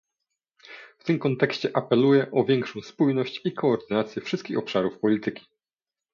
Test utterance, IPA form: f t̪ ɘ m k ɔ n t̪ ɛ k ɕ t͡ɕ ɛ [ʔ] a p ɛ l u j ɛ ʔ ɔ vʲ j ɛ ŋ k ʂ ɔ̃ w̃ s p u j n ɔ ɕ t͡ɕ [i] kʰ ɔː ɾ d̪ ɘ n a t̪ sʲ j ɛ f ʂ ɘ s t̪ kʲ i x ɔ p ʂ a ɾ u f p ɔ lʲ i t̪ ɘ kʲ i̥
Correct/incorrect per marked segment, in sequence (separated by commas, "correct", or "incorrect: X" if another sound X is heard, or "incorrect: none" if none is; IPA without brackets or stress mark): correct, correct